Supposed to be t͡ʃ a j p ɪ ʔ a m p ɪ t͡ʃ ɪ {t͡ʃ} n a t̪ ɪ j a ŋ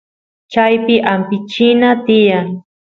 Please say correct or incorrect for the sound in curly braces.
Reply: incorrect